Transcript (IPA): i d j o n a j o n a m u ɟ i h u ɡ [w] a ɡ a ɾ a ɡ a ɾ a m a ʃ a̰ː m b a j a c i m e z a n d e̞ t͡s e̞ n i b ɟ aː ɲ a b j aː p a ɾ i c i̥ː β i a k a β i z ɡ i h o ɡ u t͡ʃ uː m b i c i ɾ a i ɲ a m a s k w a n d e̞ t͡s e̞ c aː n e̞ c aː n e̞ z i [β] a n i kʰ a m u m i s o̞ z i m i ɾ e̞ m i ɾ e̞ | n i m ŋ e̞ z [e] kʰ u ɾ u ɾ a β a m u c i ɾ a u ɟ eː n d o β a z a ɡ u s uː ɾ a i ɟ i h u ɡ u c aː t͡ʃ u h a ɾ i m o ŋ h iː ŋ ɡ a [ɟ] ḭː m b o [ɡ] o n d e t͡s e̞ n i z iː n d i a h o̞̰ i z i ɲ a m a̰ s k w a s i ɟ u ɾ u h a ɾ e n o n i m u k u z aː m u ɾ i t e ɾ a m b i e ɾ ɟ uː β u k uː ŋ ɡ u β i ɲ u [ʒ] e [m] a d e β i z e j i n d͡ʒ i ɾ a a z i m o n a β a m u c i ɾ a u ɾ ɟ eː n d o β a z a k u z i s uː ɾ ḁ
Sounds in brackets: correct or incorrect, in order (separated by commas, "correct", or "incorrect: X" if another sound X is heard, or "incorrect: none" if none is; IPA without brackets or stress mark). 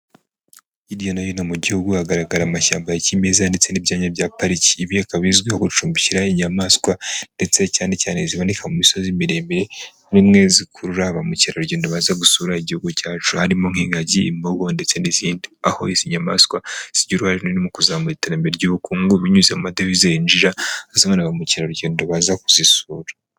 incorrect: u, correct, incorrect: i, correct, correct, incorrect: z, correct